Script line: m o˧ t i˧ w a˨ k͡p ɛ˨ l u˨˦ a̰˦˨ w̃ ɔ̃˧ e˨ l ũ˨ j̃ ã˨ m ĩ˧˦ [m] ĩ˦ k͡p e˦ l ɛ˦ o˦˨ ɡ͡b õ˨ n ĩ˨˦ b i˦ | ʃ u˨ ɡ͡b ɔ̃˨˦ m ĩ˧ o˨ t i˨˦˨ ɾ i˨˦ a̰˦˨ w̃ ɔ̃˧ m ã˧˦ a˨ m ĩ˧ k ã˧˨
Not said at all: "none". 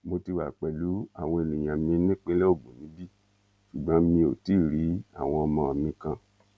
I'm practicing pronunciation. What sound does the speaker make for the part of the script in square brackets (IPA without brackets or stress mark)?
n